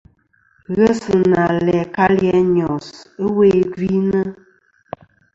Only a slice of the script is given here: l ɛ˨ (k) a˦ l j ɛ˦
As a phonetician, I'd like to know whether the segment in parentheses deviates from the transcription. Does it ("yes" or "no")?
no